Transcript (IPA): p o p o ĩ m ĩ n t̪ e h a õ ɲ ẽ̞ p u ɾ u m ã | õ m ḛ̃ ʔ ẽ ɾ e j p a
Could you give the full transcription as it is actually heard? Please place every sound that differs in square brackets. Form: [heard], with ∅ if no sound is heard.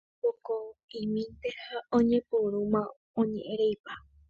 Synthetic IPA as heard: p o [k] o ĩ m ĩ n t̪ e h a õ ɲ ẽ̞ p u ɾ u m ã | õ [ɲ] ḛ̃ ʔ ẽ ɾ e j p a